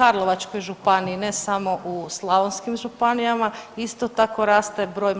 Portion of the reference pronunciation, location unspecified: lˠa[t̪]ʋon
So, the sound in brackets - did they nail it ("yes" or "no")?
no